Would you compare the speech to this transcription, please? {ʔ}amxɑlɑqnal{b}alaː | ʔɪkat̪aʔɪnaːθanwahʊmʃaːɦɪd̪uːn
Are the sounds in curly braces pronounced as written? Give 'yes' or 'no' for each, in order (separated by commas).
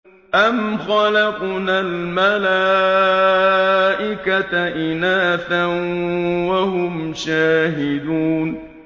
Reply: yes, no